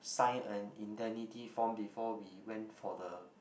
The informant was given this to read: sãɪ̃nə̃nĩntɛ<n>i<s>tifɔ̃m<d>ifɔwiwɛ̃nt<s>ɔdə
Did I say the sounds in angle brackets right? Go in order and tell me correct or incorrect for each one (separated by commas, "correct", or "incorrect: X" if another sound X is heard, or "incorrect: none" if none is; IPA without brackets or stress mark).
correct, incorrect: none, incorrect: b, incorrect: f